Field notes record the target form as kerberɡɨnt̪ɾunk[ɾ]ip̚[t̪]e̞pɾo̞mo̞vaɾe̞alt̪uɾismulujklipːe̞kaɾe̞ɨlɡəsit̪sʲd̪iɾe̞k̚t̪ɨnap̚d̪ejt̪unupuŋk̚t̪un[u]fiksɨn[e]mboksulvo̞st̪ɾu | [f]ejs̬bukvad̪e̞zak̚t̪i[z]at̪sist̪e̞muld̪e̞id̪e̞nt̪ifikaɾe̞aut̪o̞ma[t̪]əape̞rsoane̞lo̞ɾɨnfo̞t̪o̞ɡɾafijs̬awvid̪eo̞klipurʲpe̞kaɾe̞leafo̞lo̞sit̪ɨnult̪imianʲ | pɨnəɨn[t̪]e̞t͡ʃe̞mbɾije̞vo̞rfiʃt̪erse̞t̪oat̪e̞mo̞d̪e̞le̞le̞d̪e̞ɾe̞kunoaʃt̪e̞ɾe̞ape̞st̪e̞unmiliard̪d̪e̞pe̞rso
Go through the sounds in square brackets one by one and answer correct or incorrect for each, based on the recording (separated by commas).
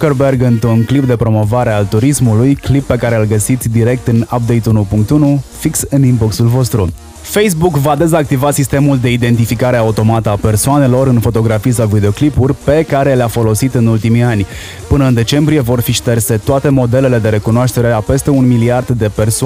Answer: incorrect, incorrect, correct, incorrect, correct, incorrect, correct, incorrect